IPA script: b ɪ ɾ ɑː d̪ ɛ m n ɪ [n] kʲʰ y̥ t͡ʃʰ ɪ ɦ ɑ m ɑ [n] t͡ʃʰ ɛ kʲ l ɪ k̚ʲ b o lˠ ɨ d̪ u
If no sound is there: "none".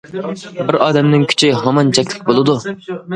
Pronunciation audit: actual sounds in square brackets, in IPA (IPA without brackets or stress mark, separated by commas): ŋ, n